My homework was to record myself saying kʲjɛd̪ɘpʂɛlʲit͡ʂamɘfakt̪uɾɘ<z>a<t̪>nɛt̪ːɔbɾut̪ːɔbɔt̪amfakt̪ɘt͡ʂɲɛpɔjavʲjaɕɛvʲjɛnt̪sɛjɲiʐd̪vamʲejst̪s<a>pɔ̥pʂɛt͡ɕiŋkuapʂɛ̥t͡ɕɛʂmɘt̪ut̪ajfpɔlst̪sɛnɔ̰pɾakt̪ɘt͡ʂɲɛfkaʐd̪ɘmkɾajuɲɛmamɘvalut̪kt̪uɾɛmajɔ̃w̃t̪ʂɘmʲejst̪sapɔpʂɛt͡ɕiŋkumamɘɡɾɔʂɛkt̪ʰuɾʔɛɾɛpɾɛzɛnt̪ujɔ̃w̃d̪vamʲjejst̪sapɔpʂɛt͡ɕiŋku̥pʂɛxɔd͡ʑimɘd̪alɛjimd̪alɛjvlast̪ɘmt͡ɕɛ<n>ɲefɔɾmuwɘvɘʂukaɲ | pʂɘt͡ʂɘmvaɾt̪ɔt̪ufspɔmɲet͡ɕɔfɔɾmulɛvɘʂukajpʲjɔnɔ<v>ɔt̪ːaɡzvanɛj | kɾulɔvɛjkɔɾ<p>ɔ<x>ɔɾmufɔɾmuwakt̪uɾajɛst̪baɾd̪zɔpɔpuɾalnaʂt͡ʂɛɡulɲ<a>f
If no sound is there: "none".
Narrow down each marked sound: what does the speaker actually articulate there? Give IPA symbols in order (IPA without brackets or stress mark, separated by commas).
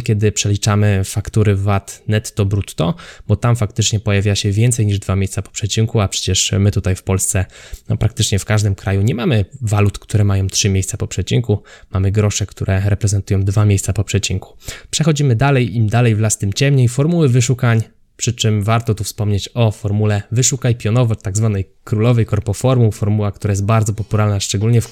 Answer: v, t̪, a, m, v, p, f, ɛ